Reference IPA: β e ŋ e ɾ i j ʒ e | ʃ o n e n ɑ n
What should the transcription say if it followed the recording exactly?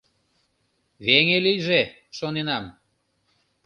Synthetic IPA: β e ŋ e l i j ʒ e | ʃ o n e n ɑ m